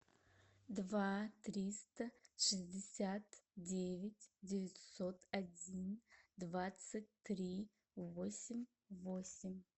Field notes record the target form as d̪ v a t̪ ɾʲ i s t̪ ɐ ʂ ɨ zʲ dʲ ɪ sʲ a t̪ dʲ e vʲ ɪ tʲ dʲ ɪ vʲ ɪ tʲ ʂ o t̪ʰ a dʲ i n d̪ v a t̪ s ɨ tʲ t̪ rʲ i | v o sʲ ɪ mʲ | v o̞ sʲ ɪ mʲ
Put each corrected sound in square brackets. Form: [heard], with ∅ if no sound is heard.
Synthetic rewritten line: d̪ v a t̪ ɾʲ i s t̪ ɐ ʂ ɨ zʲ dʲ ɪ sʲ a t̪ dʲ e vʲ ɪ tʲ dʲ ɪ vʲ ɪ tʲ [s] o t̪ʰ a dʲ i n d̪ v a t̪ s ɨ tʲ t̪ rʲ i | v o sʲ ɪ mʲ | v o̞ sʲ ɪ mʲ